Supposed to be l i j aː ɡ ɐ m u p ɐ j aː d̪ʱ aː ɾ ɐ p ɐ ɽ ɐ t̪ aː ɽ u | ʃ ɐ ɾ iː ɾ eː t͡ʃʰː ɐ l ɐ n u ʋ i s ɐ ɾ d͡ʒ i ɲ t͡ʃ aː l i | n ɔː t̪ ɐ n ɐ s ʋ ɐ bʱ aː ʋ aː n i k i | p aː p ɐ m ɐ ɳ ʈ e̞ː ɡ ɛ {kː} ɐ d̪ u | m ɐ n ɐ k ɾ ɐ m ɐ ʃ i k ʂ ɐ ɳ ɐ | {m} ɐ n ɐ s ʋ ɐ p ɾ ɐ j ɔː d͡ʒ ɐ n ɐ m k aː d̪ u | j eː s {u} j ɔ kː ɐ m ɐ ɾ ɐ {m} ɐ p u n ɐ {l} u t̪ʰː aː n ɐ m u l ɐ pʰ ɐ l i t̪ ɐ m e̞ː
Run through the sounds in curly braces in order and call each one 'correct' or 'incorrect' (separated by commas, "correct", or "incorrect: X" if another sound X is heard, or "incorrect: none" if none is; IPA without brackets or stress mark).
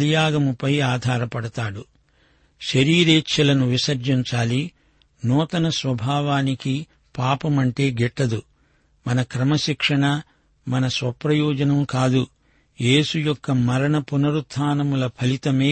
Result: incorrect: ʈː, correct, correct, incorrect: ɳ, incorrect: ɾ